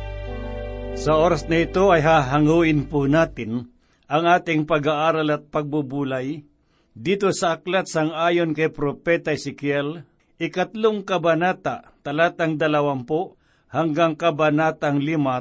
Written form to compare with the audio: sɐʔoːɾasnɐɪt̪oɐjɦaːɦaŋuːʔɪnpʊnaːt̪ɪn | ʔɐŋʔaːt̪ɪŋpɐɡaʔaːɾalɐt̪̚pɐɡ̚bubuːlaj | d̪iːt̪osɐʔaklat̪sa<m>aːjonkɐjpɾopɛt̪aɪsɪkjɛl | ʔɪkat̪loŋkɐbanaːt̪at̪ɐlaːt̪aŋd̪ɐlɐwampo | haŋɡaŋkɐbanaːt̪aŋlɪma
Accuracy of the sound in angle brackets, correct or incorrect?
incorrect